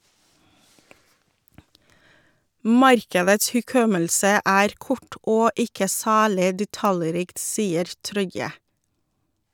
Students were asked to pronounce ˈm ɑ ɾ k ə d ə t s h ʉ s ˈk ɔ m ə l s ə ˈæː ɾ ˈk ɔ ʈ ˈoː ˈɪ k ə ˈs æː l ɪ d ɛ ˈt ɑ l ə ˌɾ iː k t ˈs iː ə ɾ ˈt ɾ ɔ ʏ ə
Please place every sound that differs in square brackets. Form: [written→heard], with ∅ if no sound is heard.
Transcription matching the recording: ˈm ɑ ɾ k ə d ə t s h ʉ [s→∅] ˈk ɔ m ə l s ə ˈæː ɾ ˈk ɔ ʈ ˈoː ˈɪ k ə ˈs æː l ɪ d ɛ ˈt ɑ l ə ˌɾ iː k t ˈs iː ə ɾ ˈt ɾ ɔ ʏ ə